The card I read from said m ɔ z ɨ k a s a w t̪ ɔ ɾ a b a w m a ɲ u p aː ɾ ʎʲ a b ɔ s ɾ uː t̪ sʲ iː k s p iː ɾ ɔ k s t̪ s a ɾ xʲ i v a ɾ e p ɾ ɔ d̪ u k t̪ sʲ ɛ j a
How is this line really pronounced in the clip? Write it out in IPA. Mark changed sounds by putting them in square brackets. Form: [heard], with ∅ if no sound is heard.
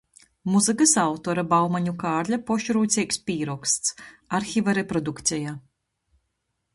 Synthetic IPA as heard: m [u] z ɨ k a s a w t̪ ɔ ɾ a b a w m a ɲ u [k] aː ɾ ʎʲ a [p] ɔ [ʃ] ɾ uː t̪ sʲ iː k s p iː ɾ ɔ k s t̪ s a ɾ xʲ i v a ɾ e p ɾ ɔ d̪ u k t̪ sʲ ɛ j a